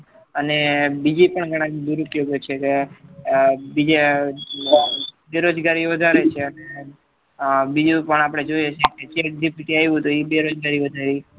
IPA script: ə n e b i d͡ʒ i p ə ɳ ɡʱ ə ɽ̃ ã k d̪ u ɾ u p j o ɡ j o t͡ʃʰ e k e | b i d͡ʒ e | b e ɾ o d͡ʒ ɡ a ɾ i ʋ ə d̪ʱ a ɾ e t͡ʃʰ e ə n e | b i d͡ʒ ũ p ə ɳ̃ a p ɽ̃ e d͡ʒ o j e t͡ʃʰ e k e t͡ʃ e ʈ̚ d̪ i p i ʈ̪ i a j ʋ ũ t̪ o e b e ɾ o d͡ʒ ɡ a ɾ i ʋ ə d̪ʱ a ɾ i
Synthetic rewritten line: ə n e b i d͡ʒ i p ə ɳ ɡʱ ə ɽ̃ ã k d̪ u ɾ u p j o ɡ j o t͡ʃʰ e k e | b i d͡ʒ e | b e ɾ o d͡ʒ ɡ a ɾ i ʋ ə d̪ʱ a ɾ e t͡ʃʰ e ə n e | b i d͡ʒ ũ p ə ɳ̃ a p ɽ̃ e d͡ʒ o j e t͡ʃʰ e k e t͡ʃ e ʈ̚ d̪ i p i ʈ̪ i a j ʋ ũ t̪ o i b e ɾ o d͡ʒ ɡ a ɾ i ʋ ə d̪ʱ a ɾ i